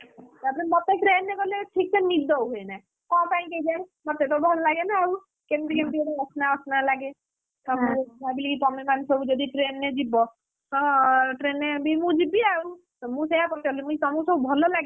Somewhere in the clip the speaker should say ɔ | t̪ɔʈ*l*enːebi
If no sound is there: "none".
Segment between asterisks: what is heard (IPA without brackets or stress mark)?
ɾ